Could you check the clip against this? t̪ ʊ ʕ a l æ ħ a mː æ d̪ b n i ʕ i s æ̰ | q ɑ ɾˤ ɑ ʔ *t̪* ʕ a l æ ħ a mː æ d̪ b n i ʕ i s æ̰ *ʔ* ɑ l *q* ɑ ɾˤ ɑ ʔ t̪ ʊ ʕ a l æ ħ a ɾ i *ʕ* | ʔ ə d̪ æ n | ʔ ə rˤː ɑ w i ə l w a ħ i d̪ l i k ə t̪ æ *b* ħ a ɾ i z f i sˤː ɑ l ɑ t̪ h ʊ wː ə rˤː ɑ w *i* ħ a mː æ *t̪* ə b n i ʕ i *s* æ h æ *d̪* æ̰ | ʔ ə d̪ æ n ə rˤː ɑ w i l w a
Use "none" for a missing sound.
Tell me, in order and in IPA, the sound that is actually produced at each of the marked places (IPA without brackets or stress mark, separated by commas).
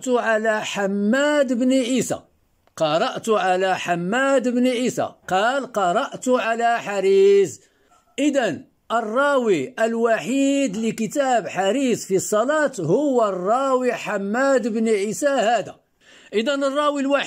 t̪, q, q, z, b, i, d̪, s, d̪